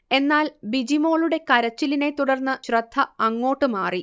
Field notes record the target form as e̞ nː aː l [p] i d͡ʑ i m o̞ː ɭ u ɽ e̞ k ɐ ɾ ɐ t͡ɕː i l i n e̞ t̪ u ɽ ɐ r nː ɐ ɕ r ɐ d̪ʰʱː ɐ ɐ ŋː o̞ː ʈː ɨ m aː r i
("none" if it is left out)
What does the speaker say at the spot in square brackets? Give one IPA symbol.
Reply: b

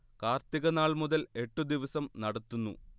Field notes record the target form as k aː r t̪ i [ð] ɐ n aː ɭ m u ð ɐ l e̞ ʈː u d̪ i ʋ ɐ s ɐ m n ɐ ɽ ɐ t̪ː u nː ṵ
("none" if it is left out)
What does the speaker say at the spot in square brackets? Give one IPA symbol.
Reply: ɣ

